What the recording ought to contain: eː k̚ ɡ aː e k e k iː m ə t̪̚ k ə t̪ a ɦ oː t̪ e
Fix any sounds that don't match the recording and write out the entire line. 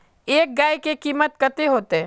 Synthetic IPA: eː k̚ ɡ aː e k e k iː m ə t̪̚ k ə t̪ e ɦ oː t̪ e